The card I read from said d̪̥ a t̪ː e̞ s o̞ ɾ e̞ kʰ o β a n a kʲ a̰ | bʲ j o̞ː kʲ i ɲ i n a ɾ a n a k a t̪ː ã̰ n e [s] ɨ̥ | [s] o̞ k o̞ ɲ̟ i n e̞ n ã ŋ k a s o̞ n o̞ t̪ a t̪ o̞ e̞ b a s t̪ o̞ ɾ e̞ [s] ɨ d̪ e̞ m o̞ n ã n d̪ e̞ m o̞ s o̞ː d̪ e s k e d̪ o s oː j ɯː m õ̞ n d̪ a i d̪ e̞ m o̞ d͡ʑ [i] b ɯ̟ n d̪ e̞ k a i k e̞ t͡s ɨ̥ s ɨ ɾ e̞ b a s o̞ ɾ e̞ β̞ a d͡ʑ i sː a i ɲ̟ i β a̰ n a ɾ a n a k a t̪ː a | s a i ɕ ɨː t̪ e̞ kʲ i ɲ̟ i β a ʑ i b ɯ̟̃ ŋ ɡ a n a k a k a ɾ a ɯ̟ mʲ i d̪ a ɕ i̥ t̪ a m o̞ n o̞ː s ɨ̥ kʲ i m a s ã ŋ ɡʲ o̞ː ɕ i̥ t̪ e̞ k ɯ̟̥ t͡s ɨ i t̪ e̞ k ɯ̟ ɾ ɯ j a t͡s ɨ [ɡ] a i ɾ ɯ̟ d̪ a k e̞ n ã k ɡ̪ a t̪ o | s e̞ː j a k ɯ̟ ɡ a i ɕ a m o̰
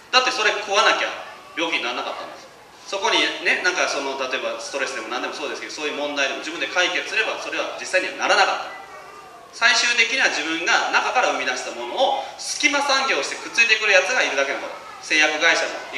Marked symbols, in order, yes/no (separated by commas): yes, yes, yes, yes, yes